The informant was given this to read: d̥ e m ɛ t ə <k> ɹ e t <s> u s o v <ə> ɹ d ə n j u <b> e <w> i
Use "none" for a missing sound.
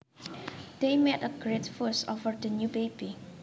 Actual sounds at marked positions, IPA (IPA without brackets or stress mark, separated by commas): ɡ, f, ə, b, b